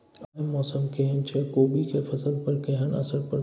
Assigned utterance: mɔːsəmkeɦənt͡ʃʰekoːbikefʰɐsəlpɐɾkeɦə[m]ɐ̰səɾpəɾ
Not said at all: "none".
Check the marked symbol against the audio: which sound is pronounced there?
n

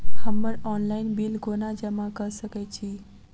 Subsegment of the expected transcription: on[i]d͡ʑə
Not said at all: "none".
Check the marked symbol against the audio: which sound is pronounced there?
a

